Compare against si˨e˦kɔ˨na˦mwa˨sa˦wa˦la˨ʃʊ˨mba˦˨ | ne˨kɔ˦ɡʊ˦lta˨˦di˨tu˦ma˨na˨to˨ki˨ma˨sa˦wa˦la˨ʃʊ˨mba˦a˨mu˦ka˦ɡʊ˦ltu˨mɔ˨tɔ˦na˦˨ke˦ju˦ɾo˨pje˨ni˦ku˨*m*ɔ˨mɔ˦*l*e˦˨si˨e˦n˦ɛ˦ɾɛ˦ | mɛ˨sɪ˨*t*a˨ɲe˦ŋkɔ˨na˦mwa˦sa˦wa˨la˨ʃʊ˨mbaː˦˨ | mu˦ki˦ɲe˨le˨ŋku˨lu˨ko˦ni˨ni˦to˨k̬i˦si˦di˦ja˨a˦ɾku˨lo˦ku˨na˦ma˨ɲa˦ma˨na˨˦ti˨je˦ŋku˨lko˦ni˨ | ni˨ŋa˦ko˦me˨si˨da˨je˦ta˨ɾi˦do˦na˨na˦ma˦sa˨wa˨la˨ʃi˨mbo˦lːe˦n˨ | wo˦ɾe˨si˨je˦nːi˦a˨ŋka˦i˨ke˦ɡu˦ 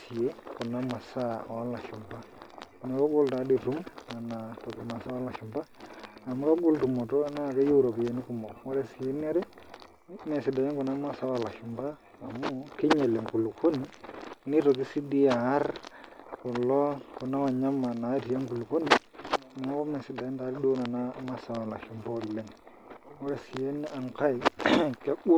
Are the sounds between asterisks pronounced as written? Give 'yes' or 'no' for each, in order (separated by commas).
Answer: yes, no, no